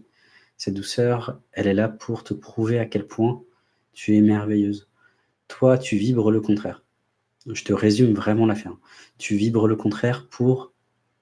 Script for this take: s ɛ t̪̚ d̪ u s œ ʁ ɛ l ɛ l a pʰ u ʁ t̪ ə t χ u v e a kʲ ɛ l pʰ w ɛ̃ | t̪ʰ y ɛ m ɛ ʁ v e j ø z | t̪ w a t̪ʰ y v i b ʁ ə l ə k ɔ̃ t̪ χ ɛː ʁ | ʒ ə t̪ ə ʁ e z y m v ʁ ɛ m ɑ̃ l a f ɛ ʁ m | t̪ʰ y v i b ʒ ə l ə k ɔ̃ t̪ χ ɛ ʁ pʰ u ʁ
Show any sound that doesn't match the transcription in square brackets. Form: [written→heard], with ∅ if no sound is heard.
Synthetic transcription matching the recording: s ɛ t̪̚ d̪ u s œ ʁ ɛ l ɛ l a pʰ u ʁ t̪ ə [t→p] χ u v e a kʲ ɛ l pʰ w ɛ̃ | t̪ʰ y ɛ m ɛ ʁ v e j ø z | t̪ w a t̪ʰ y v i b ʁ ə l ə k ɔ̃ t̪ χ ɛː ʁ | ʒ ə t̪ ə ʁ e z y m v ʁ ɛ m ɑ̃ l a f ɛ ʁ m | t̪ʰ y v i b [ʒ→ʁ] ə l ə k ɔ̃ t̪ χ ɛ ʁ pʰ u ʁ